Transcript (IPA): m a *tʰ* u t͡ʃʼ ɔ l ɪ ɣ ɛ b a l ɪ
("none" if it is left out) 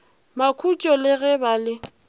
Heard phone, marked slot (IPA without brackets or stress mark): kʰ